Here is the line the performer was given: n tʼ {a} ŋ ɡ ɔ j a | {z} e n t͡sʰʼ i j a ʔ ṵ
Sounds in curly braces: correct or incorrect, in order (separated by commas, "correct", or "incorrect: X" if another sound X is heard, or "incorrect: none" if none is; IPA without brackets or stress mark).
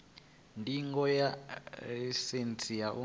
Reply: incorrect: i, incorrect: s